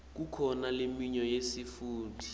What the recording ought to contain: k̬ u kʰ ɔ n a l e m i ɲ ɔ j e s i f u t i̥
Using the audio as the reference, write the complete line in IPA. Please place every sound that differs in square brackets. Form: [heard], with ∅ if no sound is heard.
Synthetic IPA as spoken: k̬ u kʰ ɔ n a l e m i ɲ ɔ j e s i f [uː] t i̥

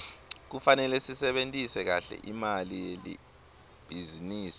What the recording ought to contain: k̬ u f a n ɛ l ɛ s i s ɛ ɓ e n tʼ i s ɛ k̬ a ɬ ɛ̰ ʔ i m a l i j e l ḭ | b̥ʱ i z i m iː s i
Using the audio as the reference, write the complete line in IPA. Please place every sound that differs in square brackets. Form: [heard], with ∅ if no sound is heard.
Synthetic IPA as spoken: k̬ u f a n ɛ l ɛ s i s ɛ ɓ e n tʼ i s ɛ k̬ a ɬ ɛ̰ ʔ i m a l i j e l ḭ | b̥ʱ i z i [n] iː s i

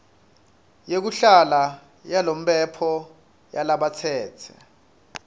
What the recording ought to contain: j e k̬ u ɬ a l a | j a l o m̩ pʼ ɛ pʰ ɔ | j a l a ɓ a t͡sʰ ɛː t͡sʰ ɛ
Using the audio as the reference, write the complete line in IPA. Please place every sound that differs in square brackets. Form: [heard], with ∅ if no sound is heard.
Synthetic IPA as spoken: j e k̬ u ɬ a l a | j a l o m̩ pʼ ɛ pʰ ɔ | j a l a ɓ a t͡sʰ ɛː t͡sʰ ɛ

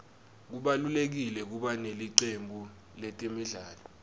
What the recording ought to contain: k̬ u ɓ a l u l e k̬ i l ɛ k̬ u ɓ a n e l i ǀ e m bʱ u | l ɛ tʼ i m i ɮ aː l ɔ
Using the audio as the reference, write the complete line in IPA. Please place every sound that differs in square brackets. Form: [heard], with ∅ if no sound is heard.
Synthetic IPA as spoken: k̬ u ɓ a l u l e k̬ i l ɛ k̬ u ɓ a n e l i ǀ e m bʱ u | l ɛ tʼ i m i ɮ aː l ɔ

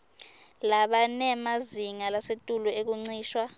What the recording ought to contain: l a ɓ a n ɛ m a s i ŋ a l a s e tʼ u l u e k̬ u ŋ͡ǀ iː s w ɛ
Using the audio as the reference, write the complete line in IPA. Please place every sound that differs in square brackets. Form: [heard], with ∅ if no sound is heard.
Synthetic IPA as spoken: l a ɓ a n ɛ m a [z] i ŋ a l a s e tʼ u l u e k̬ u ŋ͡ǀ iː [ʃ] w [a]

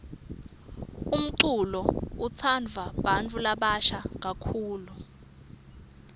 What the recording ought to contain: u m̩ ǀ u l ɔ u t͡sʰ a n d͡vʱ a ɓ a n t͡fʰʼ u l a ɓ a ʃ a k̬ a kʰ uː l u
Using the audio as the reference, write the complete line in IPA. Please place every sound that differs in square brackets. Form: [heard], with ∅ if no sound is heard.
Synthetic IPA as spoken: u m̩ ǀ u l ɔ u t͡sʰ a n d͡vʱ a ɓ a n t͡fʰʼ u l a ɓ a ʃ a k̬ a kʰ uː l u

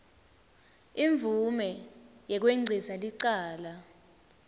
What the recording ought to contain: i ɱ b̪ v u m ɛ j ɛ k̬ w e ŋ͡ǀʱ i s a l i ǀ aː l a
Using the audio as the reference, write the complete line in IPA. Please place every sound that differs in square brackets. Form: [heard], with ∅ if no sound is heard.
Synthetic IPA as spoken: i ɱ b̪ v u m ɛ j ɛ k̬ w e ŋ͡ǀʱ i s a l i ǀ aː l a

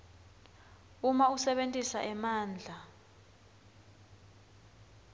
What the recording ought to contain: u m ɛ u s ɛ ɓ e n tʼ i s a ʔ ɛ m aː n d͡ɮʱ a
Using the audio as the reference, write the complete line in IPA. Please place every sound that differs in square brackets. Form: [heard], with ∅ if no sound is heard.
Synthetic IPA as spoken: u m [a] u s ɛ ɓ e n tʼ i s a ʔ ɛ m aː n d͡ɮʱ a

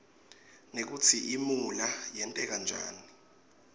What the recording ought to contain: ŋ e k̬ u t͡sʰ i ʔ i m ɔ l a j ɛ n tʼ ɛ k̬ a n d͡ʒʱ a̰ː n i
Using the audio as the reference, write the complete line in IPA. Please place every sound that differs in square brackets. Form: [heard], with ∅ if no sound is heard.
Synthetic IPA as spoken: [n] e k̬ u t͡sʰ i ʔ i m [u] l a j ɛ n tʼ ɛ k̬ a n d͡ʒʱ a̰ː n i

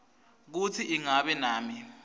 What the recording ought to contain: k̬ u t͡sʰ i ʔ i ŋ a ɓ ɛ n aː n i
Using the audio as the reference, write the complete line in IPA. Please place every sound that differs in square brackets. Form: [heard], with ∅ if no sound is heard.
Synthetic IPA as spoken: k̬ u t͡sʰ i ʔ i ŋ a ɓ ɛ n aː [m] i

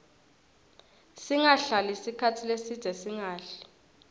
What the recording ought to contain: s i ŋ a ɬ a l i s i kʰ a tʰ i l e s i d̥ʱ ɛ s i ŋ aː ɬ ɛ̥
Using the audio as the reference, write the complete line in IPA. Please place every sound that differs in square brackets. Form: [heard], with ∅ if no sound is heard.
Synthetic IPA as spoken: s i ŋ a ɬ a l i s i kʰ a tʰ i l e s i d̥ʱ ɛ s i ŋ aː ɬ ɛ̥

